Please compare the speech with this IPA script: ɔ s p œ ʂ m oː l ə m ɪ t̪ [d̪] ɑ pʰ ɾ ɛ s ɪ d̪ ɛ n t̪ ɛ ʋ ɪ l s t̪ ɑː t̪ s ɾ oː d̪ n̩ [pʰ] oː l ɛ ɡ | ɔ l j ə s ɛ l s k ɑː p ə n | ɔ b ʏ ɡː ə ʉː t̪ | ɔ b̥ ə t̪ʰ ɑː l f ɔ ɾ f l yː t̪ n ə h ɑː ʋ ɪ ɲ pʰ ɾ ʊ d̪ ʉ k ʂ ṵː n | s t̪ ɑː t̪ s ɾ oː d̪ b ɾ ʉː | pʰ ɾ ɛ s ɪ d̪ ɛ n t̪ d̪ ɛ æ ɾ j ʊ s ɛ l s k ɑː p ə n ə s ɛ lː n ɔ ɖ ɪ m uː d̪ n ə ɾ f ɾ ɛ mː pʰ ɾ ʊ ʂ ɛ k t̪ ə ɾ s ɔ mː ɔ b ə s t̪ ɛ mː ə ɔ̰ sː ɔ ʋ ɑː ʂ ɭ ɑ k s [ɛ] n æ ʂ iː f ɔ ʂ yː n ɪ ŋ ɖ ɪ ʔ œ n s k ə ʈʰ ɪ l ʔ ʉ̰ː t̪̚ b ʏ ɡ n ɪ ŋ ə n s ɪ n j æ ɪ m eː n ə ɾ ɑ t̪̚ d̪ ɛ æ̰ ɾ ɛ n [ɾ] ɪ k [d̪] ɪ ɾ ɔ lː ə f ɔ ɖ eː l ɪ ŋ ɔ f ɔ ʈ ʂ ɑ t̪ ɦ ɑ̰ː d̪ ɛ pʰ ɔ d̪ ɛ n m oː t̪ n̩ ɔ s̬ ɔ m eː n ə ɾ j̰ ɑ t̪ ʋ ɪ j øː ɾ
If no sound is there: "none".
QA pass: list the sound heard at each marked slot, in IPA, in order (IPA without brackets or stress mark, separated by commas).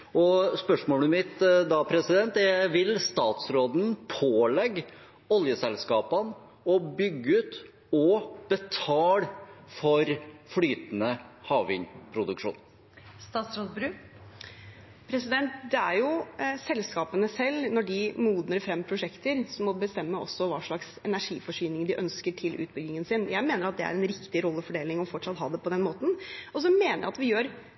d̪, pʰ, ɛ, ɾ, t̪